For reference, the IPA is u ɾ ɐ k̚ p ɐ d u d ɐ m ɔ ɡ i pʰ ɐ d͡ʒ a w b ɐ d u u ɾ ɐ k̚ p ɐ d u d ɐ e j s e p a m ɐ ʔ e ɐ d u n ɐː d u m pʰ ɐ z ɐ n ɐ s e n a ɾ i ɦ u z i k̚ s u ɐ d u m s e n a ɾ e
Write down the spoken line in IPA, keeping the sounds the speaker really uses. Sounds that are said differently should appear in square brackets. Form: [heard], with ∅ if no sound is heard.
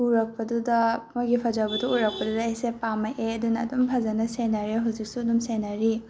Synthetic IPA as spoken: u ɾ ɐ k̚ p ɐ d u d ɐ m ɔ ɡ i pʰ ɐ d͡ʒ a w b ɐ d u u ɾ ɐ k̚ p ɐ d u d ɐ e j s e p a m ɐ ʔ e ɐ d u n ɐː d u m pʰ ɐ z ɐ n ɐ s e n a ɾ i ɦ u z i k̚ s u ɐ d u m s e n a ɾ [i]